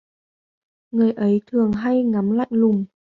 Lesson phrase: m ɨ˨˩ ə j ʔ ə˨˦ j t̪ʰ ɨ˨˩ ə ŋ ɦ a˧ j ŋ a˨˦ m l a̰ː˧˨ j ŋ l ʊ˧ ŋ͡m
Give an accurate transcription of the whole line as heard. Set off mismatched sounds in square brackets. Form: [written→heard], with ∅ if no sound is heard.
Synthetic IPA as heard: [m→ŋ] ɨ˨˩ ə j ʔ ə˨˦ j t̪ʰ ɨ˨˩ ə ŋ ɦ a˧ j ŋ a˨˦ m l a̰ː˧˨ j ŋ l [ʊ˧→ʊ˨˩] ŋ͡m